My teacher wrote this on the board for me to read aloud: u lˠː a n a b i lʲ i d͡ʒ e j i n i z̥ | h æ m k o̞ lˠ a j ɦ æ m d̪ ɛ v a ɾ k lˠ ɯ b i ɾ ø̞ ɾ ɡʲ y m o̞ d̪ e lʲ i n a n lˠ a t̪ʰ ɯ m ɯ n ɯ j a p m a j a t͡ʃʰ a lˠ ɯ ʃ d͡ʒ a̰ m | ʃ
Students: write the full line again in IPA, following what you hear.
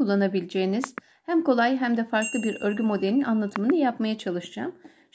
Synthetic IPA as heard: u lˠː a n a b i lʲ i d͡ʒ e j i n i z̥ | h æ m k o̞ lˠ a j ɦ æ m d̪ ɛ f a ɾ k lˠ ɯ b i ɾ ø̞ ɾ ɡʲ y m o̞ d̪ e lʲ i n a n lˠ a t̪ʰ ɯ m ɯ n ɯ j a p m a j a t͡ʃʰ a lˠ ɯ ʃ d͡ʒ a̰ m | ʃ